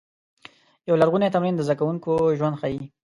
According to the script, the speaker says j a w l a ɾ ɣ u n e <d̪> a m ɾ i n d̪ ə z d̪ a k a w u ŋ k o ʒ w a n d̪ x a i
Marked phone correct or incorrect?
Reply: incorrect